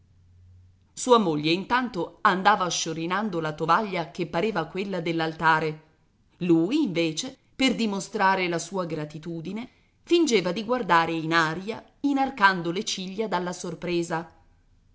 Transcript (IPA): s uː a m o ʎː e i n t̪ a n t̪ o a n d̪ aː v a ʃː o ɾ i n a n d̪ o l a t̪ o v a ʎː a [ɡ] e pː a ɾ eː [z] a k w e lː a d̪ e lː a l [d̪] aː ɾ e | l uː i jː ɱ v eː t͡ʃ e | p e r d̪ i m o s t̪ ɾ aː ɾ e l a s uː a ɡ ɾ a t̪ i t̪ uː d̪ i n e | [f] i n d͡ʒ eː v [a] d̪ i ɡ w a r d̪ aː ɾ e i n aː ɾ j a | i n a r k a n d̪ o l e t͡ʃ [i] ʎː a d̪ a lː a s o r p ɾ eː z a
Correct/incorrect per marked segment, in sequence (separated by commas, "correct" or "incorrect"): incorrect, incorrect, incorrect, correct, correct, correct